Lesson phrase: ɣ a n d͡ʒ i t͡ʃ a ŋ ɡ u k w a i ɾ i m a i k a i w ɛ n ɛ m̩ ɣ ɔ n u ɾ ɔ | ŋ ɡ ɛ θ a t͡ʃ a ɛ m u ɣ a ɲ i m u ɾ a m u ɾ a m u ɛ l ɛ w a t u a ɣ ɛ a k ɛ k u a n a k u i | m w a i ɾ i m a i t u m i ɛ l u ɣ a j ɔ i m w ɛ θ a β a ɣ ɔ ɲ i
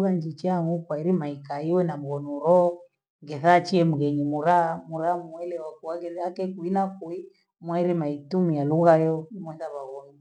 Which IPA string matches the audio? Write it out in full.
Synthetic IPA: ɣ a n d͡ʒ i t͡ʃ a ŋ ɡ u k w a i ɾ i m a i k a i w ɛ n a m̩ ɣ ɔ n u ɾ ɔ | ŋ ɡ ɛ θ a t͡ʃ i ɛ m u ɣ ɛ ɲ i m u ɾ a m u ɾ a m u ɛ l ɛ w a k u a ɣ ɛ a k ɛ k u i n a k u i | m w a i ɾ i m a i t u m i a l u ɣ a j ɔ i m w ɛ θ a β a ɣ ɔ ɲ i